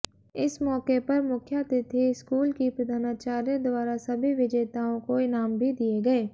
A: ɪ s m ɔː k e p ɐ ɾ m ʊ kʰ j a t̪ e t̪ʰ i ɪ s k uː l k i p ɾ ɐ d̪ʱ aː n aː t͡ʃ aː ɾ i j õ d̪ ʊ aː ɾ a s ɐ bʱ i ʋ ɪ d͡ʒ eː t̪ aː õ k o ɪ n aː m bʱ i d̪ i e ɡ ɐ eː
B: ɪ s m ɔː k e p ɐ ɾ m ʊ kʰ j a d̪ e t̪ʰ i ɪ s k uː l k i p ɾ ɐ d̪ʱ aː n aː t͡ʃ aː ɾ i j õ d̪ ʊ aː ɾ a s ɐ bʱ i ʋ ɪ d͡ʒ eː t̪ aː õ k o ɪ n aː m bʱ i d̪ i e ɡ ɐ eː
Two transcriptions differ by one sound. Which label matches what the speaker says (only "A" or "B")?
A